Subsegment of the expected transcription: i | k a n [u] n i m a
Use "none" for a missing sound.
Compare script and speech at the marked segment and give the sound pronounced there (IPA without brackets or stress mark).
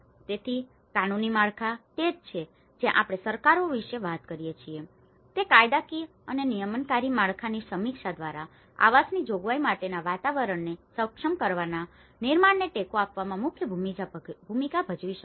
u